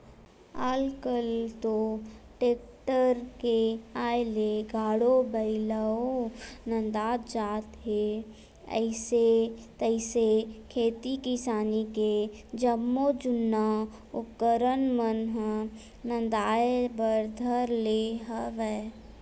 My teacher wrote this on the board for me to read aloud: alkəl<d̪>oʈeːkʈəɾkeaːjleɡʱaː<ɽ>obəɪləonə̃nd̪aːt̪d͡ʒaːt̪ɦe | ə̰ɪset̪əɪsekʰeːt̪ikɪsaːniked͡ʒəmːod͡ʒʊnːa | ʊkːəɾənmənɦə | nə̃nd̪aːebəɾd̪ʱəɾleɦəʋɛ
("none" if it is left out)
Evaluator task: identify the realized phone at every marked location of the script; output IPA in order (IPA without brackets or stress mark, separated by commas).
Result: t̪, ɽ